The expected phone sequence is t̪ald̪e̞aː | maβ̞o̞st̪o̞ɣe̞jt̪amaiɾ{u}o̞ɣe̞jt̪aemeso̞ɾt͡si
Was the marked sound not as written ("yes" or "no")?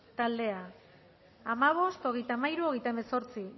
no